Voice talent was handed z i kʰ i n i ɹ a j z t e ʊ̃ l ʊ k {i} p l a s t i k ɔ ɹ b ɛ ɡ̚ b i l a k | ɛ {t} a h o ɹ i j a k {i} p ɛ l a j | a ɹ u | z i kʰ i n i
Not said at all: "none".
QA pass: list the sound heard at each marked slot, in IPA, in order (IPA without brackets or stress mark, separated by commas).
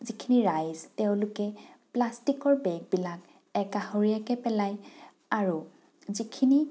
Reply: ɛ, k, ɛ